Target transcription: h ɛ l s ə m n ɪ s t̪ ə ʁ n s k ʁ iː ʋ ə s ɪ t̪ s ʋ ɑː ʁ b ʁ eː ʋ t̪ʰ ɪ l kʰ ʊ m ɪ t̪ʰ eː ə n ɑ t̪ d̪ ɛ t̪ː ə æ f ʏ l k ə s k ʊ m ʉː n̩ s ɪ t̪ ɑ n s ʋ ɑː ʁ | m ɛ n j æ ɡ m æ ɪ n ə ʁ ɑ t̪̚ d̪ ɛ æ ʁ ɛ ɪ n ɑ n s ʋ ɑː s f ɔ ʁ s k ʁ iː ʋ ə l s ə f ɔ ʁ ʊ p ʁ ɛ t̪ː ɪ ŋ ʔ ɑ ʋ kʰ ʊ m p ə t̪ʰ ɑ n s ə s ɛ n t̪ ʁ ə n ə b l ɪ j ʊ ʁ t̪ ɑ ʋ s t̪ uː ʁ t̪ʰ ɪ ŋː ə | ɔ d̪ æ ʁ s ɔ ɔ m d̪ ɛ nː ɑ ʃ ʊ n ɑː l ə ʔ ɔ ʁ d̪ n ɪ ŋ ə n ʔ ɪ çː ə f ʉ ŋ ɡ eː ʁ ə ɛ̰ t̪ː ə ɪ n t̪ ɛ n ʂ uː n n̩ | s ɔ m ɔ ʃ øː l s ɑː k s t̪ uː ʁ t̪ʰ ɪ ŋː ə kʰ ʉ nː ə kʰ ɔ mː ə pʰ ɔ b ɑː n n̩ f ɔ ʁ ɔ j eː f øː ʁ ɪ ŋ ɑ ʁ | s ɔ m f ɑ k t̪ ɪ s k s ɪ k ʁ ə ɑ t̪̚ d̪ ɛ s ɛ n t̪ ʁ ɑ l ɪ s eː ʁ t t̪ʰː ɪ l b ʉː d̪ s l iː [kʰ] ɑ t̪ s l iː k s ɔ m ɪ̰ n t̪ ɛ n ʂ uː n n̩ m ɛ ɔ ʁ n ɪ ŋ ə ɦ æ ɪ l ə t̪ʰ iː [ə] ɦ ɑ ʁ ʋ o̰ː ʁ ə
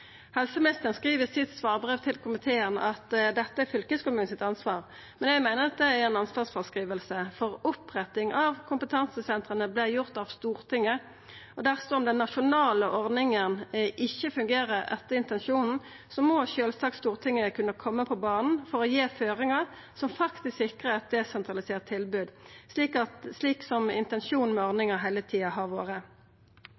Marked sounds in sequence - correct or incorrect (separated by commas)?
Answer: incorrect, incorrect